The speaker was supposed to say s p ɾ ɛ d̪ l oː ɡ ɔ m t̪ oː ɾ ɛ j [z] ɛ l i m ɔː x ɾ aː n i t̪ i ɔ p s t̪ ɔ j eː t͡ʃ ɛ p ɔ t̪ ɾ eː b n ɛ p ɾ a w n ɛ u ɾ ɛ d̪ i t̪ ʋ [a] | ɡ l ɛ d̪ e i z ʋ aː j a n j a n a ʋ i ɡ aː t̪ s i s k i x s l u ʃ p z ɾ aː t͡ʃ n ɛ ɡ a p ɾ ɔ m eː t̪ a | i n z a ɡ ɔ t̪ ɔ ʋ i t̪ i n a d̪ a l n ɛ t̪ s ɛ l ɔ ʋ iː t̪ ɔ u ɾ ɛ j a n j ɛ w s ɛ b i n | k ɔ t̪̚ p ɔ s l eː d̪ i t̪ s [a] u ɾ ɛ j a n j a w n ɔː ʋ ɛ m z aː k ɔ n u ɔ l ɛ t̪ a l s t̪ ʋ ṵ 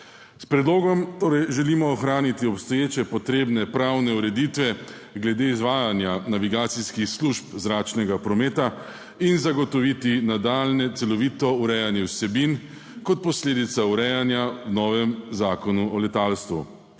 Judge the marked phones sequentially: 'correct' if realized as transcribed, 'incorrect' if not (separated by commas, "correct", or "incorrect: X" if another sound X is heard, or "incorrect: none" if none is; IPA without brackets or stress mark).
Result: incorrect: ʒ, incorrect: ɛ, correct